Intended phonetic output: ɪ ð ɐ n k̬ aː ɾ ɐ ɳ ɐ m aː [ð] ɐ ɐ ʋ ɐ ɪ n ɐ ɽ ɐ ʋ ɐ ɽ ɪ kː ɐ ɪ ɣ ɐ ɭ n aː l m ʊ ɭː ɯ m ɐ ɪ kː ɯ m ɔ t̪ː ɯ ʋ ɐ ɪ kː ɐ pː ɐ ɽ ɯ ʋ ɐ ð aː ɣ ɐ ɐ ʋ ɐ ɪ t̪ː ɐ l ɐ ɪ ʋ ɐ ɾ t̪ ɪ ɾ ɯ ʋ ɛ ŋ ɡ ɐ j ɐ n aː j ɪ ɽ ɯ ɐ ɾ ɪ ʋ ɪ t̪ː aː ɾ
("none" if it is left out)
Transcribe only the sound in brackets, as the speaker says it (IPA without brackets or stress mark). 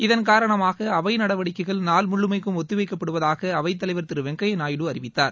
ɣ